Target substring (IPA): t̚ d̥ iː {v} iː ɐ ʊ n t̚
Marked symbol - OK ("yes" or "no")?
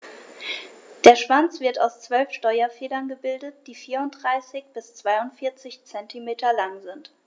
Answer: no